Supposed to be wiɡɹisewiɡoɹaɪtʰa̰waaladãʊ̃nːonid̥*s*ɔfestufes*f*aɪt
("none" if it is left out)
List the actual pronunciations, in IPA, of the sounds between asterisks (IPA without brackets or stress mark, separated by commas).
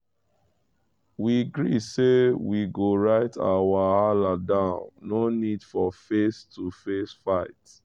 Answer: f, f